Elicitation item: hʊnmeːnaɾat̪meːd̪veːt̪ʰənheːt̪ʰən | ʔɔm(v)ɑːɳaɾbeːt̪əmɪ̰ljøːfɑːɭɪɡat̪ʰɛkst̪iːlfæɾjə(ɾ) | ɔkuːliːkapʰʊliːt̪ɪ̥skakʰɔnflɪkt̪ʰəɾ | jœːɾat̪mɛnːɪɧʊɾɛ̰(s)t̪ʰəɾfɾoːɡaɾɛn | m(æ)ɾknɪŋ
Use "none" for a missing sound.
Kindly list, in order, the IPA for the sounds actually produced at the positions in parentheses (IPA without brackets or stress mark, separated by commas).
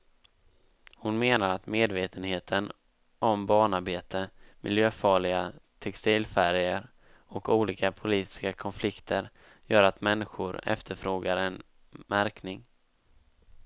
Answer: b, ɾ, f, æ